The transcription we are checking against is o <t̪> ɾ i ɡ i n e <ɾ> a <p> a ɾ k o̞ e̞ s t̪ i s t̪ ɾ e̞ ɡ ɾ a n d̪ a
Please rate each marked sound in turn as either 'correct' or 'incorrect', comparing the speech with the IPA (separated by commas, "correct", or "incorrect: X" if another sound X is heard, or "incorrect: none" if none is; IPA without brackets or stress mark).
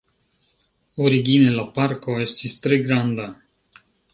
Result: incorrect: none, incorrect: l, correct